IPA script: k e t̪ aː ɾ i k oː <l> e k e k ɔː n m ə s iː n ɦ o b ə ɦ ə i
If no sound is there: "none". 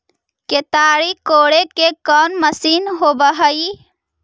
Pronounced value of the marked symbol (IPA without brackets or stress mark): ɽ